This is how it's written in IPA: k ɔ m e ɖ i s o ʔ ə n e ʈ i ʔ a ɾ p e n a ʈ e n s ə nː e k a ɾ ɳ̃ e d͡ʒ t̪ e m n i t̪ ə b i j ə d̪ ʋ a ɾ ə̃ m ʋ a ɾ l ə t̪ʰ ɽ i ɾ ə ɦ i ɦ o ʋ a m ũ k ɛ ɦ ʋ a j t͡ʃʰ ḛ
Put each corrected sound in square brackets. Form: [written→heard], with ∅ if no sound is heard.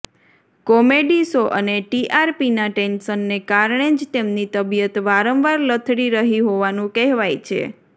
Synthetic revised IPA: k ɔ m e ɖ i s o ʔ ə n e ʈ i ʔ a ɾ p [e→i] n a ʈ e n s ə nː e k a ɾ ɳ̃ e d͡ʒ t̪ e m n i t̪ ə b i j ə [d̪→t̪] ʋ a ɾ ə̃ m ʋ a ɾ l ə t̪ʰ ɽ i ɾ ə ɦ i ɦ o ʋ a [m→n] ũ k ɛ ɦ ʋ a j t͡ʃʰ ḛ